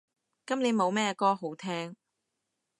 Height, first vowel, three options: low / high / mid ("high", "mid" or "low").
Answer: low